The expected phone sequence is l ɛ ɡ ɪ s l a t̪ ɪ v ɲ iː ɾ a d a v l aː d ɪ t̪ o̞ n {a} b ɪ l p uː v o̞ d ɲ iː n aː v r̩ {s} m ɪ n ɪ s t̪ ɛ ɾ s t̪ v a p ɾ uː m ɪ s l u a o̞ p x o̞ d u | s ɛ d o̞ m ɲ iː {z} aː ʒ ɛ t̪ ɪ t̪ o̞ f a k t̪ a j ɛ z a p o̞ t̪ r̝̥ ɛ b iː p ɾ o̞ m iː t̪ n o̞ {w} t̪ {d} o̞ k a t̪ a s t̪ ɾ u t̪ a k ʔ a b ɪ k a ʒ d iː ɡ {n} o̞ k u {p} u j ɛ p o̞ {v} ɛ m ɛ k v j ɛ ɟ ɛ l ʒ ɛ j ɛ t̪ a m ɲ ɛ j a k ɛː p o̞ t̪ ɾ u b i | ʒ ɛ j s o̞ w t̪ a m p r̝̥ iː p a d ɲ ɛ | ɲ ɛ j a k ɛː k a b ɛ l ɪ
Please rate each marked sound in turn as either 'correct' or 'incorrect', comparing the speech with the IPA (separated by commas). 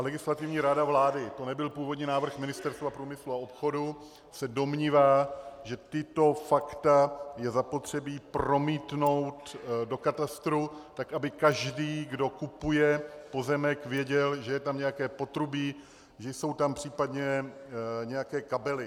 incorrect, incorrect, incorrect, correct, correct, incorrect, correct, incorrect